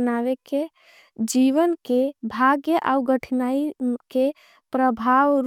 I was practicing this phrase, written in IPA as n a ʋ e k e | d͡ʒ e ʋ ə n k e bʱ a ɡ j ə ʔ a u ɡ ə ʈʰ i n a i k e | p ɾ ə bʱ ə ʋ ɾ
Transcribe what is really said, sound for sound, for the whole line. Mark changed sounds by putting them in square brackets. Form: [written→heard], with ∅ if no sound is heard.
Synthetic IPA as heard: n a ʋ e k e | d͡ʒ [e→i] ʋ ə n k e bʱ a ɡ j ə ʔ a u ɡ ə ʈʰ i n a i k e | p ɾ ə bʱ [ə→a] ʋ ɾ